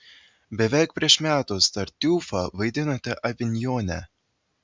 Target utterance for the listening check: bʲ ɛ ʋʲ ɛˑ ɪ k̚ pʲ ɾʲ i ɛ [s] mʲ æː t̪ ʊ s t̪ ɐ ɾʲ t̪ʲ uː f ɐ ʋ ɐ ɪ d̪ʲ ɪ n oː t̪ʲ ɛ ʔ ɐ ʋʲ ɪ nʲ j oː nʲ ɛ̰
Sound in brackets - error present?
yes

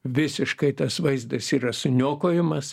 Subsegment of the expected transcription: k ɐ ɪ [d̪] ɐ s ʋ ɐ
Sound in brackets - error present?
yes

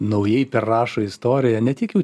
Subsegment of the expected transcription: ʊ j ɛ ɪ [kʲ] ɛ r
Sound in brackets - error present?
yes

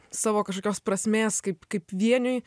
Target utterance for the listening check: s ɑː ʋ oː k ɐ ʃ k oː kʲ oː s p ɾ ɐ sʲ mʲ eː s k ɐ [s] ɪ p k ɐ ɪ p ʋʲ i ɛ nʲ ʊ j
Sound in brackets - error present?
yes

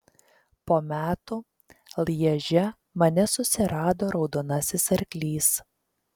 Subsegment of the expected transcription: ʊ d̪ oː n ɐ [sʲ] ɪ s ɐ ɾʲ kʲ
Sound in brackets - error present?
no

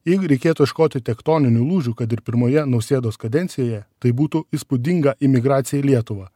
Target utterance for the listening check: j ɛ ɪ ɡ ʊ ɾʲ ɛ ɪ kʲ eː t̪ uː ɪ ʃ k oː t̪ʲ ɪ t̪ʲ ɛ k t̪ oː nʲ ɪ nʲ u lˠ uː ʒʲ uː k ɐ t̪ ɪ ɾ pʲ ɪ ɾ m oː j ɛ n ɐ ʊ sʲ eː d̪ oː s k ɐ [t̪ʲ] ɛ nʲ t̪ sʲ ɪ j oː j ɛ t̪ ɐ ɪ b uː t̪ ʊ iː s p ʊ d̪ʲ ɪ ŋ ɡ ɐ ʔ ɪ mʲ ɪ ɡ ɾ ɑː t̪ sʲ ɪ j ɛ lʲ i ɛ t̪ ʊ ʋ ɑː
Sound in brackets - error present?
yes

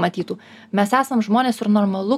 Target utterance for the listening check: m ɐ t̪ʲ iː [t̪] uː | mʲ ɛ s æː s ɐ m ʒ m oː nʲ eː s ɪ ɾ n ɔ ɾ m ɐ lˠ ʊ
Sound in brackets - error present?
no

